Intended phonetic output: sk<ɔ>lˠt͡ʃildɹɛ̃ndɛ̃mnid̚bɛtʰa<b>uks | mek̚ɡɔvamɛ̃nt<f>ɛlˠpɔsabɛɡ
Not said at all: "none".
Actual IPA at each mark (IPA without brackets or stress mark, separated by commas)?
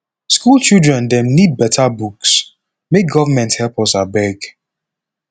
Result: u, b, h